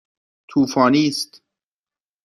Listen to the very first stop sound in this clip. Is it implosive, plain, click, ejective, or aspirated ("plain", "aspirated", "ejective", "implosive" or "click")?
aspirated